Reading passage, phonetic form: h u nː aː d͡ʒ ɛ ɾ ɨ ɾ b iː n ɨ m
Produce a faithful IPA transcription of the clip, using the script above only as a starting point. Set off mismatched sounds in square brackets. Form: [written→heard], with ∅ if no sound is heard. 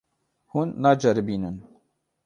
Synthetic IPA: h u nː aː d͡ʒ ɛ ɾ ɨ [ɾ→∅] b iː n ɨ [m→n]